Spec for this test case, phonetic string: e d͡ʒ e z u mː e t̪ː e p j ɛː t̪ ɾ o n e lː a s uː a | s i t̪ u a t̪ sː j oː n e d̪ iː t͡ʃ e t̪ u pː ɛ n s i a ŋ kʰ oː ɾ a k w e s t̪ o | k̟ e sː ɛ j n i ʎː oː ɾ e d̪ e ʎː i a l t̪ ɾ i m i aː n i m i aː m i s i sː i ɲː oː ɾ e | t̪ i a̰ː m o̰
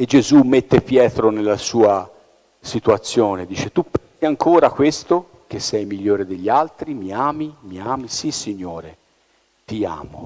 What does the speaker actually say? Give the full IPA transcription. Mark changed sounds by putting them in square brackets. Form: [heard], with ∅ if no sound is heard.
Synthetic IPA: e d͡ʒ e z u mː e t̪ː e p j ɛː t̪ ɾ o n e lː a s uː a | s i t̪ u a t̪ sː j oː n e d̪ iː t͡ʃ e t̪ u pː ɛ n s i a ŋ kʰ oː ɾ a k w e s t̪ o | k̟ e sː ɛ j [m] i ʎː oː ɾ e d̪ e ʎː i a l t̪ ɾ i m i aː [m] i m i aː m i s i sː i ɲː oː ɾ e | t̪ i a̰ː m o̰